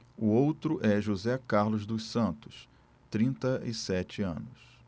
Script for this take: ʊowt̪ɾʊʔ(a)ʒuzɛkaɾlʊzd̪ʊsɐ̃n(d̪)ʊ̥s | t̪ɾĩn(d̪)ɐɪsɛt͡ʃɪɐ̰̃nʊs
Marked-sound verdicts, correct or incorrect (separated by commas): incorrect, incorrect, incorrect